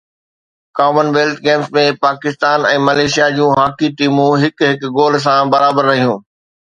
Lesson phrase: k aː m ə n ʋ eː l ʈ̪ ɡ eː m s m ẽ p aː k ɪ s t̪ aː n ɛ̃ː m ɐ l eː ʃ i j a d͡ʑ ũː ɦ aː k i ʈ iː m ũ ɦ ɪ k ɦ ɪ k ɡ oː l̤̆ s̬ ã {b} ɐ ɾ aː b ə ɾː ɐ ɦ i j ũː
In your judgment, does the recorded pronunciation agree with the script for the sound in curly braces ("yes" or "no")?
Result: yes